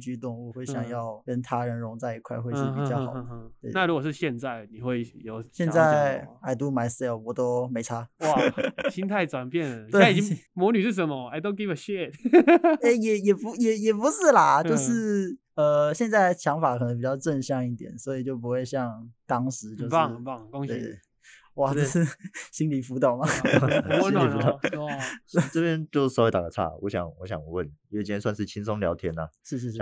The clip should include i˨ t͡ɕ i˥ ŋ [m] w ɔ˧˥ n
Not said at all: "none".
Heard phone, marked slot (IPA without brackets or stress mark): m